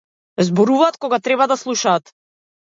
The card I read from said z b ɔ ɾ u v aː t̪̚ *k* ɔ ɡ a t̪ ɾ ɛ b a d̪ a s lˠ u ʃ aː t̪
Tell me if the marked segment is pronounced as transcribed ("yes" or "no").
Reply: yes